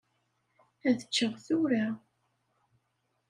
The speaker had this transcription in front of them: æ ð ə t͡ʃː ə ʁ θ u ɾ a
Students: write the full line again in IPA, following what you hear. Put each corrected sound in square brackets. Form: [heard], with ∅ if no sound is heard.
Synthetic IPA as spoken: æ ð ə t͡ʃː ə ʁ θ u ɾ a